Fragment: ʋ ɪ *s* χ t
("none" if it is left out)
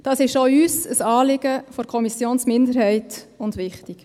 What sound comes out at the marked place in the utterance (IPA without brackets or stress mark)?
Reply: none